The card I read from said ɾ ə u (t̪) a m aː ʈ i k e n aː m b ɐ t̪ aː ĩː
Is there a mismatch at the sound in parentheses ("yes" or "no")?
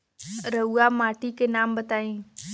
yes